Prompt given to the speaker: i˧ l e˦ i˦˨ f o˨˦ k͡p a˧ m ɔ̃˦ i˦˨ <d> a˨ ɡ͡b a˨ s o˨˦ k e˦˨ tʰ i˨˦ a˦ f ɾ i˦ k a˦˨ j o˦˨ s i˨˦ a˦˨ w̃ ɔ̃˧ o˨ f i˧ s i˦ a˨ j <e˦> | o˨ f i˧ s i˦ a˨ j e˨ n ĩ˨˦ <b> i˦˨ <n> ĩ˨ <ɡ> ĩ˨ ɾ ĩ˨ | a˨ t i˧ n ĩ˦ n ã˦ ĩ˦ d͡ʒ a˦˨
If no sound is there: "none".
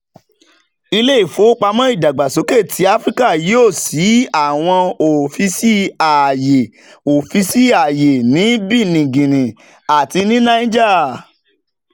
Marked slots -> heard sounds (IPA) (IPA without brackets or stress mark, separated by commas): d, e˨, b, n, ɡ